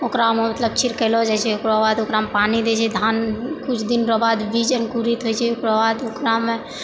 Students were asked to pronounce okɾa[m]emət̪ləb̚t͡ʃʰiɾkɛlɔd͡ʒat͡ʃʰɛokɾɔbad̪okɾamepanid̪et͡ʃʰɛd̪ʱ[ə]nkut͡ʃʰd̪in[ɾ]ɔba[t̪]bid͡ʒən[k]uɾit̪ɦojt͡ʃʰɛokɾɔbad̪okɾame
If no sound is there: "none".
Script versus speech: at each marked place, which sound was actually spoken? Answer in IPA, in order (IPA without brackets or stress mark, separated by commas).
m, a, ɾ, d̪, k